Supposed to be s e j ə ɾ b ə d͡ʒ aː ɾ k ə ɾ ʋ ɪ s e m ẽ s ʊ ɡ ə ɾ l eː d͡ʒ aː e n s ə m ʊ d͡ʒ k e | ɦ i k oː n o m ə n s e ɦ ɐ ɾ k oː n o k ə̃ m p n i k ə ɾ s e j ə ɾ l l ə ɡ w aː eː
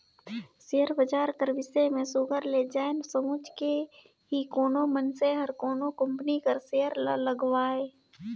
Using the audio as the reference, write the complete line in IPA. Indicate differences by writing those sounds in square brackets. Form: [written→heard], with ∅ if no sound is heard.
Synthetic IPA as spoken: s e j ə ɾ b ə d͡ʒ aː ɾ k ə ɾ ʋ ɪ s e m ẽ s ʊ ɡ ə ɾ l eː d͡ʒ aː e n s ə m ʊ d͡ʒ k e | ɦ i k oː n o m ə n s e ɦ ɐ ɾ k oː n o k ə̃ m p n i k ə ɾ s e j ə ɾ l l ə ɡ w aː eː